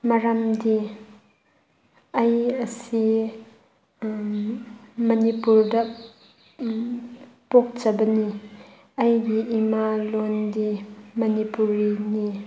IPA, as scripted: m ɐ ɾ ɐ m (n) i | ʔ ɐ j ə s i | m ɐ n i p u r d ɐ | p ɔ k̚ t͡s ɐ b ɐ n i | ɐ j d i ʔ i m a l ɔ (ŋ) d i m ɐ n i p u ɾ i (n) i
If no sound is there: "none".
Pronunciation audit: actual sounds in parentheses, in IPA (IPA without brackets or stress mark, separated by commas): d, n, n